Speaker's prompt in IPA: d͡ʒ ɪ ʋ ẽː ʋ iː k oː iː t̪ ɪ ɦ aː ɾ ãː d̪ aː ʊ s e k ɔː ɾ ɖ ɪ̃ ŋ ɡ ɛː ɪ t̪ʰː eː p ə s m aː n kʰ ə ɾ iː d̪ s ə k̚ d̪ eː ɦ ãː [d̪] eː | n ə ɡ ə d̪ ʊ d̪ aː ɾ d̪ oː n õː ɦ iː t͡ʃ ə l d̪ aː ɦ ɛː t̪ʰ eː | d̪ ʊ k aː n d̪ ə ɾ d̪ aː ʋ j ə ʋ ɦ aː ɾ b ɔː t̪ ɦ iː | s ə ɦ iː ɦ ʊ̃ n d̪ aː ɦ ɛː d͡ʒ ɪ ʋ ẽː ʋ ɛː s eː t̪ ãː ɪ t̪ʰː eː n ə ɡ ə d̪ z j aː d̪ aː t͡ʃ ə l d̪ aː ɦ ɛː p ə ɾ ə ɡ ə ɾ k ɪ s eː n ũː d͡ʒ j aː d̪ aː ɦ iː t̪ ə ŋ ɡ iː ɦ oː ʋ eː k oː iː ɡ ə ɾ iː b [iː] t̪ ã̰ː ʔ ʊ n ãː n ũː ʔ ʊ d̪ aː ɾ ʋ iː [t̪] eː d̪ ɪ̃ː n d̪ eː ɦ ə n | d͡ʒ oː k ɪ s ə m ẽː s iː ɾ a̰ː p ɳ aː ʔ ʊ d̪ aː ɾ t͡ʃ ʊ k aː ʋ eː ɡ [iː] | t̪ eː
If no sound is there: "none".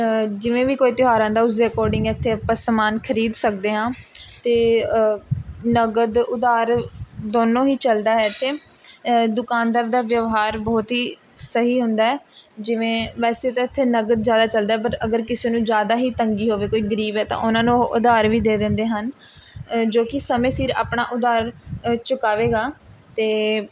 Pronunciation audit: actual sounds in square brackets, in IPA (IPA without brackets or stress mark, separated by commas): t̪, ɛː, d̪, aː